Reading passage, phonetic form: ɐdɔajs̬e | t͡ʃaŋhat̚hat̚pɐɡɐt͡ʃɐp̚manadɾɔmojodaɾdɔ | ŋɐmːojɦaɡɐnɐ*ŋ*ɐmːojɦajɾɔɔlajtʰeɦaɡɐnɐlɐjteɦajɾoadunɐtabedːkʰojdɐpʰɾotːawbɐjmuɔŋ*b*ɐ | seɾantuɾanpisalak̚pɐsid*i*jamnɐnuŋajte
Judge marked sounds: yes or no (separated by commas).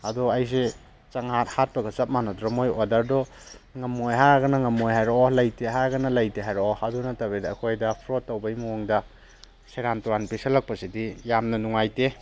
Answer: yes, no, yes